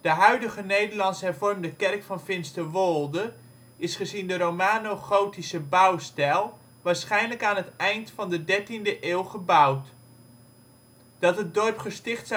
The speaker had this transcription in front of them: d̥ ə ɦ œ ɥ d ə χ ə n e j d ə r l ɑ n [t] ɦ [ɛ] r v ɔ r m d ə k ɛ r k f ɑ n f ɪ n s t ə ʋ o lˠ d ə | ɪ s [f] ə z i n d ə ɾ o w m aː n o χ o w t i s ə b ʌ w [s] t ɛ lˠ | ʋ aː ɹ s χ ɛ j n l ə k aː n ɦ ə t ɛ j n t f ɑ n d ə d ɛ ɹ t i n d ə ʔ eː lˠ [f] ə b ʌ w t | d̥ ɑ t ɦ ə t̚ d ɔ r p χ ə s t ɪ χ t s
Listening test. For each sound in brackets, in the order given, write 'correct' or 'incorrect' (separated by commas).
incorrect, correct, incorrect, correct, incorrect